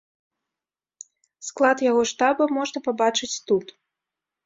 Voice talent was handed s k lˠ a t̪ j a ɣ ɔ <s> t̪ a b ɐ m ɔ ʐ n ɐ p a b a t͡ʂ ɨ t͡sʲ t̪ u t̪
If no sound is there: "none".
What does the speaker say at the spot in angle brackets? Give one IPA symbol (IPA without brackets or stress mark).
ʂ